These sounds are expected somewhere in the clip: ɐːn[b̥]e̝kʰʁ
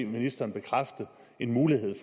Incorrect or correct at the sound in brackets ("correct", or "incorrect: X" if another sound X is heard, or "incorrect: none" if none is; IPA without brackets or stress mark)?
correct